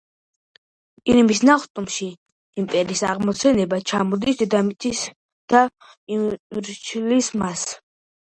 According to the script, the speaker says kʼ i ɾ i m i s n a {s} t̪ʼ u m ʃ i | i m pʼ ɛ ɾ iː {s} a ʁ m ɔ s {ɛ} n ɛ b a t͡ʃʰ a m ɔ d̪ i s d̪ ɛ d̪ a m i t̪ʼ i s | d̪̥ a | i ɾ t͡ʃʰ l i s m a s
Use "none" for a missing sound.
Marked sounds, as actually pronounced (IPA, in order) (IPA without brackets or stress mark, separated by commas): χ, s, ɛ